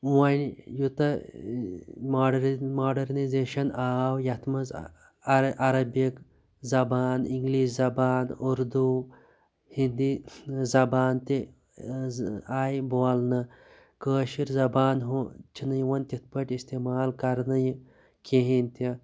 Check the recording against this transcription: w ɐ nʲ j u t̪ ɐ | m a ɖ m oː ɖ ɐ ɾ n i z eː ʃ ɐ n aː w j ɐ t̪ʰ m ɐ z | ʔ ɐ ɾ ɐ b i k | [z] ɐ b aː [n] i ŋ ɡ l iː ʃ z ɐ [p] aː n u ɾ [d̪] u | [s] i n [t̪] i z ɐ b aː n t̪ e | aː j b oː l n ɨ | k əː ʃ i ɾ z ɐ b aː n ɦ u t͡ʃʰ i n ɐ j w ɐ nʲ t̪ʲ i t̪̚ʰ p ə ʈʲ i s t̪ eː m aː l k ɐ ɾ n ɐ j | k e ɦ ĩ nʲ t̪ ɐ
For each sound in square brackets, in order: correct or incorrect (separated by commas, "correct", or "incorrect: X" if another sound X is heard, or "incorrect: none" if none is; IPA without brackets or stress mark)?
correct, correct, incorrect: b, correct, incorrect: h, incorrect: d̪